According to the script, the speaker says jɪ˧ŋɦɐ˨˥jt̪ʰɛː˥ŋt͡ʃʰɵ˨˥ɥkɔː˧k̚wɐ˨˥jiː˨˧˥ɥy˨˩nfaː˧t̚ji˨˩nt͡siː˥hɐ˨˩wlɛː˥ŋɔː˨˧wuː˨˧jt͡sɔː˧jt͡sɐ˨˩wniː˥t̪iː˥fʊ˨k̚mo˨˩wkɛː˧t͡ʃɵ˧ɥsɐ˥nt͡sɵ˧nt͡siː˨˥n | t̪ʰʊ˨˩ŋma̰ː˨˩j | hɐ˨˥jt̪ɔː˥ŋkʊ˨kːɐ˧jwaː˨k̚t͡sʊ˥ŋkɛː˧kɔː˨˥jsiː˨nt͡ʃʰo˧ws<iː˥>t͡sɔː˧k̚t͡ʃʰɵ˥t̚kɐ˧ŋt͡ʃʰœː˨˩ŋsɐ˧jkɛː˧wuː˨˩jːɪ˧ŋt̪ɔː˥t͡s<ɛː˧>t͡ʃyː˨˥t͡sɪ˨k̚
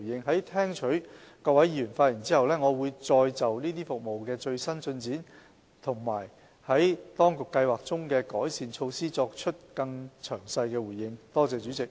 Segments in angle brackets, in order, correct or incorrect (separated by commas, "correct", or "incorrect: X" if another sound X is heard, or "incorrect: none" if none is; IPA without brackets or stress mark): correct, correct